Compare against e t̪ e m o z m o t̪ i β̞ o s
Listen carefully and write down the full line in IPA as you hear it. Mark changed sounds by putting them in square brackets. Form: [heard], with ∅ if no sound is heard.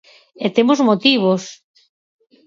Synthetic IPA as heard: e t̪ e m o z m o t̪ i β̞ o s